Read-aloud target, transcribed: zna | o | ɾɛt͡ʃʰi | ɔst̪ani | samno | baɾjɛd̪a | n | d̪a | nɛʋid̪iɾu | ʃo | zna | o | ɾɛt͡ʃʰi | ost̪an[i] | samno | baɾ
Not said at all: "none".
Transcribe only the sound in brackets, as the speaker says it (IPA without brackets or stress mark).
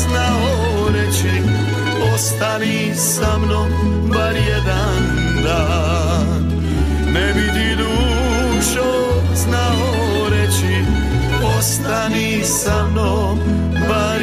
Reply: i